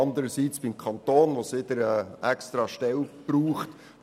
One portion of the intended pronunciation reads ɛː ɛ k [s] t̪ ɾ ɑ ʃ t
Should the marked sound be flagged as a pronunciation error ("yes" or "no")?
no